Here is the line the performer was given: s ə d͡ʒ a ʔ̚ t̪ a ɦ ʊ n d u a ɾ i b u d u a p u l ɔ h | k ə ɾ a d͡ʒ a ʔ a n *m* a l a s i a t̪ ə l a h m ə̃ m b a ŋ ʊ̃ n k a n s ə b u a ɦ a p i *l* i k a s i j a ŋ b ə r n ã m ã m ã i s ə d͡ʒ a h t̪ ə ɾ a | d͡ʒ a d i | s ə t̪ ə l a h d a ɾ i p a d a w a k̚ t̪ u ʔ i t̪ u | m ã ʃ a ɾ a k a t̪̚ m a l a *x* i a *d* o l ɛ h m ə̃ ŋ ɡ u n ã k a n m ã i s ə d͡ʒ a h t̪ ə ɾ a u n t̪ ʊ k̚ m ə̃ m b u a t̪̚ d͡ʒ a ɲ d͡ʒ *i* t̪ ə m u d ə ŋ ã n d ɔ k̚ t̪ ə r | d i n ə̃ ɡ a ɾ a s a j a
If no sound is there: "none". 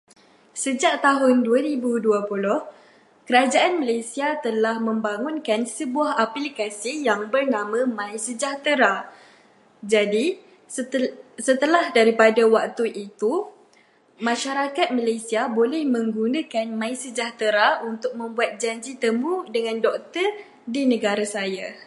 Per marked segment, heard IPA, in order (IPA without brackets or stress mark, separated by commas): m, l, s, b, i